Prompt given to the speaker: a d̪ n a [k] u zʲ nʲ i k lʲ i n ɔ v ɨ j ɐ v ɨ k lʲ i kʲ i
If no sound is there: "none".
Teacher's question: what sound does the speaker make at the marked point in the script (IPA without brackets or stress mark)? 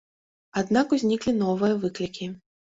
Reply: k